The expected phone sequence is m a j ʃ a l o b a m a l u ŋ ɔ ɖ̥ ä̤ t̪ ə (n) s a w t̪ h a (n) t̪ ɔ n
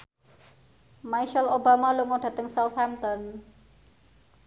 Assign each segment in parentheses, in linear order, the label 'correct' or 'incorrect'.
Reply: incorrect: ŋ, incorrect: m

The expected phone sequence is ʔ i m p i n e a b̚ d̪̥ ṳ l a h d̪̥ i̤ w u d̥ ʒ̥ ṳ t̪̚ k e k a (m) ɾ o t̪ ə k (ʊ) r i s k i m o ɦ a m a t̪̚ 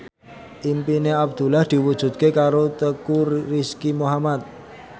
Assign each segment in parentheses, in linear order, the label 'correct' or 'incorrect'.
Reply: incorrect: none, incorrect: u

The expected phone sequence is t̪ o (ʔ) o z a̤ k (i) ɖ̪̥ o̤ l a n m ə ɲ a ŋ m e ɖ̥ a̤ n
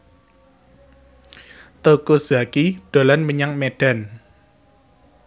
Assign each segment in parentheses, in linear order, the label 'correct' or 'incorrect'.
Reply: incorrect: k, correct

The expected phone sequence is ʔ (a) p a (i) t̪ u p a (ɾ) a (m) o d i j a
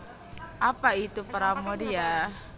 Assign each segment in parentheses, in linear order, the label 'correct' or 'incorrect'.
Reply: correct, correct, correct, correct

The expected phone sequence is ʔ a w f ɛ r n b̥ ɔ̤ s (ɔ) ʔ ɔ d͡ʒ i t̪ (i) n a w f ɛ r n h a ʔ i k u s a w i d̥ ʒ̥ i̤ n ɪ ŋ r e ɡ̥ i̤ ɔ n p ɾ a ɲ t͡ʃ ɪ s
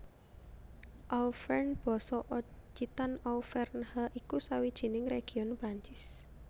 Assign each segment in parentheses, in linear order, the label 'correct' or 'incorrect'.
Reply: correct, incorrect: a

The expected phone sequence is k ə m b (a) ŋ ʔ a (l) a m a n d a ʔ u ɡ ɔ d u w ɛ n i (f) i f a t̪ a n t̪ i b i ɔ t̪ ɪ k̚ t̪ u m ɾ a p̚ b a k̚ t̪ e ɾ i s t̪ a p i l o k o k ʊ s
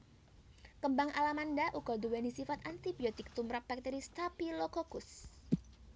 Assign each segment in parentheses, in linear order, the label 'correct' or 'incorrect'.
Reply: correct, correct, incorrect: s

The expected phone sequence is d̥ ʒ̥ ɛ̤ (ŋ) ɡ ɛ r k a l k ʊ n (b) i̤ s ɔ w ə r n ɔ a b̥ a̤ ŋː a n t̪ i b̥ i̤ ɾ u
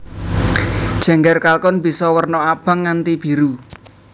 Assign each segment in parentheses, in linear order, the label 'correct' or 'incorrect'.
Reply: correct, correct

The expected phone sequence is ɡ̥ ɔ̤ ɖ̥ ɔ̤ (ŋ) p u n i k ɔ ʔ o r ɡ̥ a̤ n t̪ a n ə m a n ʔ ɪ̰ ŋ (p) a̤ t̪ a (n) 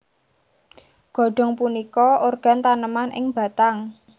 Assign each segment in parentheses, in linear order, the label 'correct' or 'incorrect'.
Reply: correct, incorrect: b, incorrect: ŋ

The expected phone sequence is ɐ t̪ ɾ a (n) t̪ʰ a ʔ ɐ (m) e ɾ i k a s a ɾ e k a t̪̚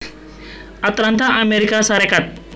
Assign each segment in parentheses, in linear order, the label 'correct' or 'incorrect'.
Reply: correct, correct

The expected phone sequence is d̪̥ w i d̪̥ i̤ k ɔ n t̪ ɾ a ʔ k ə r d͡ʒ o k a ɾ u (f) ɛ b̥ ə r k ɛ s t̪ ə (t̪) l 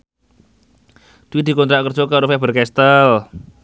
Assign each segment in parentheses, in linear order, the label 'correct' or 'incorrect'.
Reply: correct, incorrect: none

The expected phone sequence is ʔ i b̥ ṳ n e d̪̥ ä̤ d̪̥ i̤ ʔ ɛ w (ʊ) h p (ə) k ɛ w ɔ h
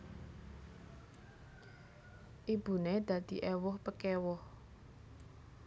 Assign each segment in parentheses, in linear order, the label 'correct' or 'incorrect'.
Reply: correct, correct

